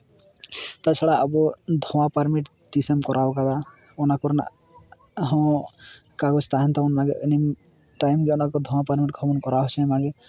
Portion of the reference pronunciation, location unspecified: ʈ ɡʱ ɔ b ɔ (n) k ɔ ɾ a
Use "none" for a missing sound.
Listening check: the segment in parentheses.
n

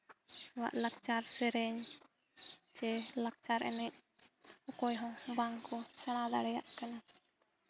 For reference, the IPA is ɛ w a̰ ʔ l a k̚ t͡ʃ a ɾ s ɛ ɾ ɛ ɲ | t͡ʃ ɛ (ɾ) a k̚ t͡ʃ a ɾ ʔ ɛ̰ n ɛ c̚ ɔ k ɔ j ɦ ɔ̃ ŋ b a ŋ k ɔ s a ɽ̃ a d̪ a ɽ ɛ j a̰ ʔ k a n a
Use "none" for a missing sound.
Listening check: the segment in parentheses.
l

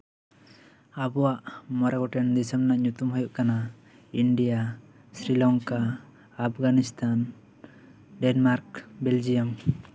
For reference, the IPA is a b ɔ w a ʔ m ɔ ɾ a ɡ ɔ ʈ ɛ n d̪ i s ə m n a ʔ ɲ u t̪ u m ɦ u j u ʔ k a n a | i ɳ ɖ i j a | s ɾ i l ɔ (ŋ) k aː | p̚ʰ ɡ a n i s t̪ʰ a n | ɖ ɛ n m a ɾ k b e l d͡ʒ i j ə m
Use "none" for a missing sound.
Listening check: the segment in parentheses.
ŋ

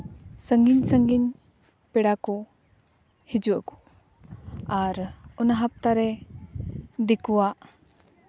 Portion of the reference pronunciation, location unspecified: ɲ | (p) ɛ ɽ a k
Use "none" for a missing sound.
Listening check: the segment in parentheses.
p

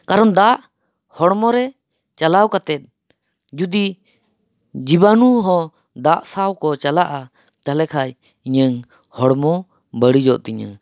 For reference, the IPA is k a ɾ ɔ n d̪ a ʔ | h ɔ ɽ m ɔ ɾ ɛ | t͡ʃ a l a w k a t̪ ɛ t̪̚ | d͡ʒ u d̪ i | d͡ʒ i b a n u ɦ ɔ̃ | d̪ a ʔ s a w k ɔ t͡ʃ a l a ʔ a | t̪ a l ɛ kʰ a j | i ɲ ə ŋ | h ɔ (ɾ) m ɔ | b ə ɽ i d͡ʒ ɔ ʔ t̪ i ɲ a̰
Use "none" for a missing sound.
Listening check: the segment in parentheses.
ɽ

